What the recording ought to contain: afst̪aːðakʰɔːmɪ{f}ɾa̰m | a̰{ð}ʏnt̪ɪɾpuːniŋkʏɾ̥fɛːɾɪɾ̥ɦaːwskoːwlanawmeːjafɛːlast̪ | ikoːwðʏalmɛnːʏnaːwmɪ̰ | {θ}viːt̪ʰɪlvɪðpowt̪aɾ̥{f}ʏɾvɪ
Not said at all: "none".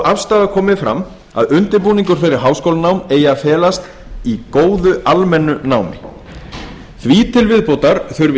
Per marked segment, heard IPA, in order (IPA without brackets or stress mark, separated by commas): f, ð, θ, θ